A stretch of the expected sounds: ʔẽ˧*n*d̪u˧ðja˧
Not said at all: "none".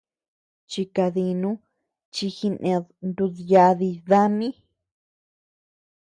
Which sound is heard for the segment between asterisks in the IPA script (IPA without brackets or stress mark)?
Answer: n